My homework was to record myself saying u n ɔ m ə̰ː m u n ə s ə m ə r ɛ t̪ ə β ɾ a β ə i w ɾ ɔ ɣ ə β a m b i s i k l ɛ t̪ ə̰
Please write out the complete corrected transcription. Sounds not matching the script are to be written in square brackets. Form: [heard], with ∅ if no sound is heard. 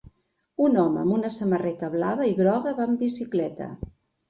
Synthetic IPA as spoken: u n ɔ m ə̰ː m u n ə s ə m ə r ɛ t̪ ə β [l] a β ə i [ɣ] ɾ ɔ ɣ ə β a m b i s i k l ɛ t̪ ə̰